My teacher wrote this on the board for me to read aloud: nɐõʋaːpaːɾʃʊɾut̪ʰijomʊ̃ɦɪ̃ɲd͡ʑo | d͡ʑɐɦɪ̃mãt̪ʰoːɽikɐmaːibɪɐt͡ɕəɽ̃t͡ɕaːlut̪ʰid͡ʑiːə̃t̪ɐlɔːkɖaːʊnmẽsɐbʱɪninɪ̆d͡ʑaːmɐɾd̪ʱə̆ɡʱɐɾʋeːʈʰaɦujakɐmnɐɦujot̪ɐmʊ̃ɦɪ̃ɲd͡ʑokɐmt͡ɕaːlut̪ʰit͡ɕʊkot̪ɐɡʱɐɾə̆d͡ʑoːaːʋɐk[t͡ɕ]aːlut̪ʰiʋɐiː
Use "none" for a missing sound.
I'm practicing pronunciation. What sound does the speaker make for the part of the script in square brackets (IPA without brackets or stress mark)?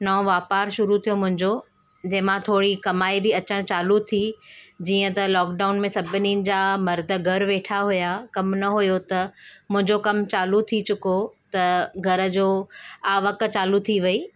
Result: t͡ɕ